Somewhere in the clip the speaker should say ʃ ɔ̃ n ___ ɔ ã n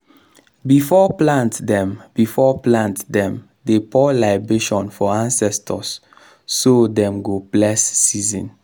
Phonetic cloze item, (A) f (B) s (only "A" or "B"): A